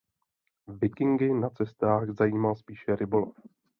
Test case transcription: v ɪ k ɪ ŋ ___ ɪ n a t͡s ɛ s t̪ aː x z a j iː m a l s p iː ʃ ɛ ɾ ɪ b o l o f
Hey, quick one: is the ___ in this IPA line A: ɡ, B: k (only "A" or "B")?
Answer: A